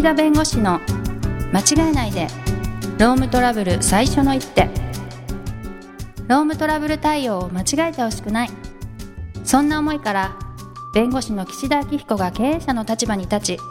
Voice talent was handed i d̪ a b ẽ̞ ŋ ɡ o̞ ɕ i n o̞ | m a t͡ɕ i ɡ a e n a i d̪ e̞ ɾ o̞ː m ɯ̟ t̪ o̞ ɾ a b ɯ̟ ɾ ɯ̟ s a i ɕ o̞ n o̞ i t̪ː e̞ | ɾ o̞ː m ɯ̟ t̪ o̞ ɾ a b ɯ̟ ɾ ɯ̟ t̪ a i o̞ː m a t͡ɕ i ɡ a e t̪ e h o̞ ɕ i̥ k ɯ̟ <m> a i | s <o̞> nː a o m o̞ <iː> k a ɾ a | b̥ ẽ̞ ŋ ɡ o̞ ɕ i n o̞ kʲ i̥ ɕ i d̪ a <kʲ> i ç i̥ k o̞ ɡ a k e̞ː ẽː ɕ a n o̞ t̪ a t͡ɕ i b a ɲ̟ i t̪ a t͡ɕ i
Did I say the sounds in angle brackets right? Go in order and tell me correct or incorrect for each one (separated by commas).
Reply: incorrect, incorrect, incorrect, correct